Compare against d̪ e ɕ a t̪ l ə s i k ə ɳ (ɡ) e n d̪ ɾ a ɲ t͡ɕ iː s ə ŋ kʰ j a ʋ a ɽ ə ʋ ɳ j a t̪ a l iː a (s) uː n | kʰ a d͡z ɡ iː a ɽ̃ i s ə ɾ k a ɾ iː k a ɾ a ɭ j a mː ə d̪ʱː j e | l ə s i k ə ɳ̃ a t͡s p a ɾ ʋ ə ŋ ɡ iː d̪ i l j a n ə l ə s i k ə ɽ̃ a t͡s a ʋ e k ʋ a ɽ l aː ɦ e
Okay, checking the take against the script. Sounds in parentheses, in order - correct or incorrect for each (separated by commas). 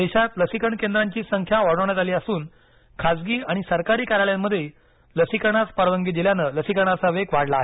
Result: incorrect, correct